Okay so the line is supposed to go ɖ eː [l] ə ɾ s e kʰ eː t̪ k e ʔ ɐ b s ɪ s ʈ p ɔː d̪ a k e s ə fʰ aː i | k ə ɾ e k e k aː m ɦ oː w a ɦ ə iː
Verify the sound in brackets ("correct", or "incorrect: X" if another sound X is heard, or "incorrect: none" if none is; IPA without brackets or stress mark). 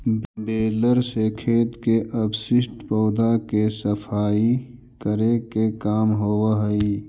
correct